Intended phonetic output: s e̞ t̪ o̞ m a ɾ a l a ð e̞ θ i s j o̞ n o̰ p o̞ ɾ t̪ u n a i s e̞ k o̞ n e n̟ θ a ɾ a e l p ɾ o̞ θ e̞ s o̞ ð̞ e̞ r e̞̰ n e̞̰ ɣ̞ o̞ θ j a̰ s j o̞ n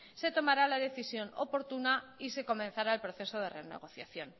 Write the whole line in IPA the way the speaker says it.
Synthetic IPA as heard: s e̞ t̪ o̞ m a ɾ a l a ð e̞ θ i s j o̞ n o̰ p o̞ ɾ t̪ u n a i s e̞ k o̞ m e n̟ θ a ɾ a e l p ɾ o̞ θ e̞ s o̞ ð̞ e̞ r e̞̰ n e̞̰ ɣ̞ o̞ θ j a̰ θ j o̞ n